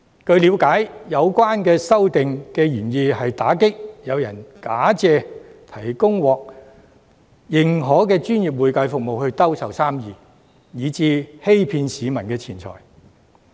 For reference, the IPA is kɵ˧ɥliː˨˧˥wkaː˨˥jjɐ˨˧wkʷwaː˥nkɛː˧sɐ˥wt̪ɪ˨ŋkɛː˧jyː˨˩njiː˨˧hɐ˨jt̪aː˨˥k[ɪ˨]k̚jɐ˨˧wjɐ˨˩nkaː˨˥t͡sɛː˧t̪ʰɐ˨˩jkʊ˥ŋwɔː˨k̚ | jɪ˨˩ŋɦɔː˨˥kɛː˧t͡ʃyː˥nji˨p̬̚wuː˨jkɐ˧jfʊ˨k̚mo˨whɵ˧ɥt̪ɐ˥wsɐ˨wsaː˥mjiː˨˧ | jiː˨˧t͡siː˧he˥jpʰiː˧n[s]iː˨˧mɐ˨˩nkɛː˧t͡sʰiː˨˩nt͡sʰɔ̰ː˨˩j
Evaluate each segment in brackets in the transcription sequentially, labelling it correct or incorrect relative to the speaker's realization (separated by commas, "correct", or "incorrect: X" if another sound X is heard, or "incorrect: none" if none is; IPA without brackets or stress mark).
incorrect: ɪ˥, correct